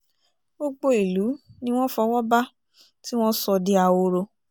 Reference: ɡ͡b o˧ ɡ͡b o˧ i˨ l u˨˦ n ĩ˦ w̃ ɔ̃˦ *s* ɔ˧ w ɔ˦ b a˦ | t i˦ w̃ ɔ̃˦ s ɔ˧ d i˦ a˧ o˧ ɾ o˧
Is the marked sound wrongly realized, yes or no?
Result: yes